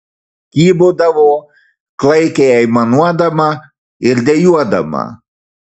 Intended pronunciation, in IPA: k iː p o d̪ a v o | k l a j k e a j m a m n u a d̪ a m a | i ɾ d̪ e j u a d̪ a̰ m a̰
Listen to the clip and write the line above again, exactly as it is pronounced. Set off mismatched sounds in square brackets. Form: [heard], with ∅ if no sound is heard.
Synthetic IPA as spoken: k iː [b] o d̪ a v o | k l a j k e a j m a [∅] n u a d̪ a m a | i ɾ d̪ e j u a d̪ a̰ m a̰